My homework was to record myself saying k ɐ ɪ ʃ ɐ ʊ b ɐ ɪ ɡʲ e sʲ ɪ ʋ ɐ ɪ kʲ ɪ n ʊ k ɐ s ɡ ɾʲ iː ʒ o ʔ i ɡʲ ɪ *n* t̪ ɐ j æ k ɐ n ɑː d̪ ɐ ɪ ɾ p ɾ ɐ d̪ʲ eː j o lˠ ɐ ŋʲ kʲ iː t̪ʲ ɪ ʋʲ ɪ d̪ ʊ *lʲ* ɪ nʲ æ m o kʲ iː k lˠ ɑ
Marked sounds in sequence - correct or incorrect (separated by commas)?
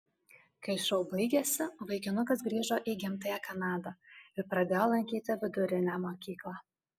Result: incorrect, incorrect